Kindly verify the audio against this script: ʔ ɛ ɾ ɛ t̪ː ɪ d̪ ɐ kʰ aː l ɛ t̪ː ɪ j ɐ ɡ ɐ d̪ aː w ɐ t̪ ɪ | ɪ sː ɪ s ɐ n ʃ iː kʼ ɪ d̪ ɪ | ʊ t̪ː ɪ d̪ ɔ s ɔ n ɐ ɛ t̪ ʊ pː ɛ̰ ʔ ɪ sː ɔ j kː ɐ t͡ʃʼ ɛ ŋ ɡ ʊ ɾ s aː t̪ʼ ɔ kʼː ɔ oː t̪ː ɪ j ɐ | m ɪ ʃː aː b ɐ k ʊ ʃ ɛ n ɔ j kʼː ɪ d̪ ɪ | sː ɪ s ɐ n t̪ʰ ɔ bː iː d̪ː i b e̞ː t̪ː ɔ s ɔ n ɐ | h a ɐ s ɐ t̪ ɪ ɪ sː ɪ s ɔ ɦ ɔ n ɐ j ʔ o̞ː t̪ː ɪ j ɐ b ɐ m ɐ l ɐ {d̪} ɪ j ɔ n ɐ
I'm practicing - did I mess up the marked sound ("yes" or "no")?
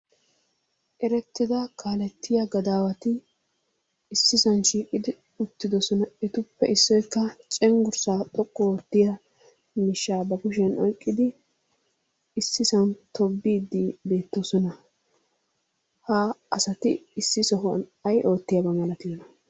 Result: yes